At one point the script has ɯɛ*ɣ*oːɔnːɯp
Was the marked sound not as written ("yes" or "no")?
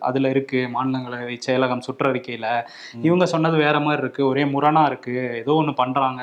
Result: yes